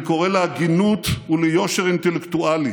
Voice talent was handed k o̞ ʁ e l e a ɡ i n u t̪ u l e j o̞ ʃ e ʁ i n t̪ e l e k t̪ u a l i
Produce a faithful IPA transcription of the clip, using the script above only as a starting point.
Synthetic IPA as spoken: k o̞ ʁ e l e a ɡ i n u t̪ u l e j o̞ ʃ e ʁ i n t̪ e l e k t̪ u a l i